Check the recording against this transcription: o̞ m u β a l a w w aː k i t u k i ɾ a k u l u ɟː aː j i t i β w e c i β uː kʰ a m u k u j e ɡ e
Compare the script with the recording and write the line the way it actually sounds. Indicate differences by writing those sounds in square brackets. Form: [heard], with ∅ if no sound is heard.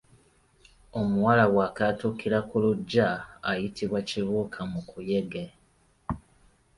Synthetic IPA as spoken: o̞ m u [w] a l a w w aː k [a] t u k i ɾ a k u l u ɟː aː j i t i β w [a] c i β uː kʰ a m u k u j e ɡ e